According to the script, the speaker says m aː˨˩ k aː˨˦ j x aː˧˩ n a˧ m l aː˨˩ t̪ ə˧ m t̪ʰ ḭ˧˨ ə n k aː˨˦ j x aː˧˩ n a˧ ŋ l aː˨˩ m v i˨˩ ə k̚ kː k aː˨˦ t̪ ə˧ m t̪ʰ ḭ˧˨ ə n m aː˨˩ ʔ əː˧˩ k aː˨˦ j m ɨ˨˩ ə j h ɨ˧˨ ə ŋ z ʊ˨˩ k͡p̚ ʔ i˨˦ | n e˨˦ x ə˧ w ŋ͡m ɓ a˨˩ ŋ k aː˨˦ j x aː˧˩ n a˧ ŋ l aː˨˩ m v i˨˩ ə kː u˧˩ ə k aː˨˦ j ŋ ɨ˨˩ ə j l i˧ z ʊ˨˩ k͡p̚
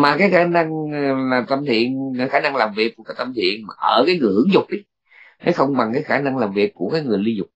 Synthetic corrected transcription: m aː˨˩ k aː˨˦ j x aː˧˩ n a˧ ŋ l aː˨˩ t̪ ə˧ m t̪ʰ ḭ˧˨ ə n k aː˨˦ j x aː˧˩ n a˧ ŋ l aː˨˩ m v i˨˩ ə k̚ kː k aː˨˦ t̪ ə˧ m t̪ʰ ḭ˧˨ ə n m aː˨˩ ʔ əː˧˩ k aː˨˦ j ŋ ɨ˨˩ ə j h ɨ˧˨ ə ŋ z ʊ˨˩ k͡p̚ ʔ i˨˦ | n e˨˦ x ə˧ w ŋ͡m ɓ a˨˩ ŋ k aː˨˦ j x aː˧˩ n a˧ ŋ l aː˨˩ m v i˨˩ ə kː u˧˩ ə k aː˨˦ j ŋ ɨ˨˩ ə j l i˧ z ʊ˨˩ k͡p̚

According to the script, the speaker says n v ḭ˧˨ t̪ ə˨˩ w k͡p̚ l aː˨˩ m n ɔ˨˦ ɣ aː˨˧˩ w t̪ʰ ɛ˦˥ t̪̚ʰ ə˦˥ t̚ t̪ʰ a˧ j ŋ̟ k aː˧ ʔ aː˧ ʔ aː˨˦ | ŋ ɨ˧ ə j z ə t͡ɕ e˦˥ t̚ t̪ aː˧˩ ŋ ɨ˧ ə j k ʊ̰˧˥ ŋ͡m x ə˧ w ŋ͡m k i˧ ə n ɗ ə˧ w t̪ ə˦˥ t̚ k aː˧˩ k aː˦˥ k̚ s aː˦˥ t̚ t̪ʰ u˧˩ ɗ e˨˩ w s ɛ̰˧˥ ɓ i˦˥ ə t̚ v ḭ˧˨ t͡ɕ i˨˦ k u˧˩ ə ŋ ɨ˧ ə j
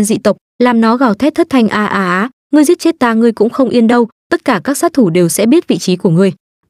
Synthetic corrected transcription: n z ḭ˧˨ t̪ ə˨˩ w k͡p̚ l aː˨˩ m n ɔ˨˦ ɣ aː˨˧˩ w t̪ʰ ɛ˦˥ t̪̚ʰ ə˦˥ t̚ t̪ʰ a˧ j ŋ̟ ʔ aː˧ ʔ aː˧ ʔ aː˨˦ | ŋ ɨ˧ ə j z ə t͡ɕ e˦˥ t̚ t̪ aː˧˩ ŋ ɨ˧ ə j k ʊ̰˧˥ ŋ͡m x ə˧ w ŋ͡m ʔ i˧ ə n ɗ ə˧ w t̪ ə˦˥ t̚ k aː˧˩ k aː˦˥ k̚ s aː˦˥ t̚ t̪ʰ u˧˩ ɗ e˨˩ w s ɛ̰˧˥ ɓ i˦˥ ə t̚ v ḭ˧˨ t͡ɕ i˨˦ k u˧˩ ə ŋ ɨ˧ ə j

